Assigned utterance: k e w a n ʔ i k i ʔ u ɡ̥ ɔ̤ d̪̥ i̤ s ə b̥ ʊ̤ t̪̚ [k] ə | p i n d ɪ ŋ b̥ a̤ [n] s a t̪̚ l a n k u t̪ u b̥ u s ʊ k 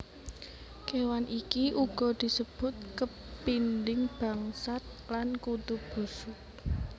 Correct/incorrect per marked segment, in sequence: correct, incorrect: ŋ

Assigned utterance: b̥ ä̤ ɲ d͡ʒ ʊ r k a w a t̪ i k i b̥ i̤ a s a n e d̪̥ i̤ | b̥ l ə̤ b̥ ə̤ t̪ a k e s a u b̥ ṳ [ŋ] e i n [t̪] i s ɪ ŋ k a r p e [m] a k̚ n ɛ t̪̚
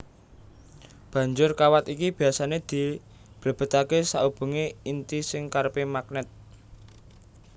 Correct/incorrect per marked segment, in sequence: correct, correct, correct

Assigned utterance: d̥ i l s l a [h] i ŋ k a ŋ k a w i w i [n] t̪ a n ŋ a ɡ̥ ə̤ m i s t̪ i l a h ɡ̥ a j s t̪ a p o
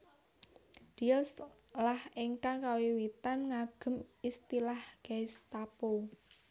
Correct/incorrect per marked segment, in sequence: correct, incorrect: none

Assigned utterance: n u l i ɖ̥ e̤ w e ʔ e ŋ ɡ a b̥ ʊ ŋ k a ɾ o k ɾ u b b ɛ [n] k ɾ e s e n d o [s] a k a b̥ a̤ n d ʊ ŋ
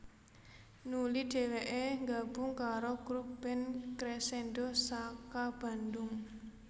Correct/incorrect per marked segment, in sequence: correct, correct

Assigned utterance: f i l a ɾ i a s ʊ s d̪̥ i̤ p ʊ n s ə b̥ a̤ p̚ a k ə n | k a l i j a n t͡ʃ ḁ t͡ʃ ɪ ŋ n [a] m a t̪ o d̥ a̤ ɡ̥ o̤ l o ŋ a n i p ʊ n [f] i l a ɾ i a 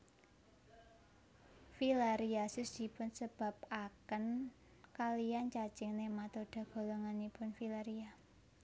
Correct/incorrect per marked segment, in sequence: incorrect: e, correct

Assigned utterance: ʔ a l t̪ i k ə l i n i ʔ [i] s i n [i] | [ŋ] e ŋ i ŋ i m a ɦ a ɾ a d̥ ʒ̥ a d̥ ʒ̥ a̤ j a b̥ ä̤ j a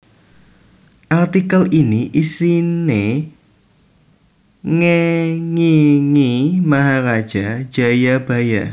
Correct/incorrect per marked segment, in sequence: correct, incorrect: e, correct

